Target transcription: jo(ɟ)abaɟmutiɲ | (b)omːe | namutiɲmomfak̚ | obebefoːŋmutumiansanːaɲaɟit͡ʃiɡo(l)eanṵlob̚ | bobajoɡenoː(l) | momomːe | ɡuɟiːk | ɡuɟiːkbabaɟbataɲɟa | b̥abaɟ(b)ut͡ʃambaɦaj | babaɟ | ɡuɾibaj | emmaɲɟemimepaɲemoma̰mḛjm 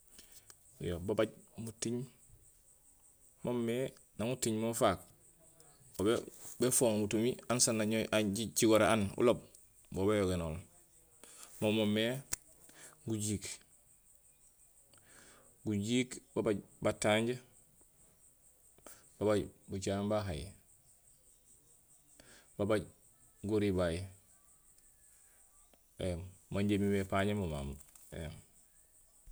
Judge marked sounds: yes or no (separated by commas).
no, no, no, yes, yes